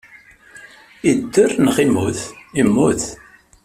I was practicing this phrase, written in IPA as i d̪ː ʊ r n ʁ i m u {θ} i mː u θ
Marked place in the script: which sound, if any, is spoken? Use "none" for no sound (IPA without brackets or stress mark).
θ